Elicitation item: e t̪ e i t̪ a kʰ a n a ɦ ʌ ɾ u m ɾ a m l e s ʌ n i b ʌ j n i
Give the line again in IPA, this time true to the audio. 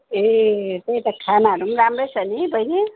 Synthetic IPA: e t̪ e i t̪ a kʰ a n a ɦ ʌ ɾ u m ɾ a m ɾ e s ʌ n i b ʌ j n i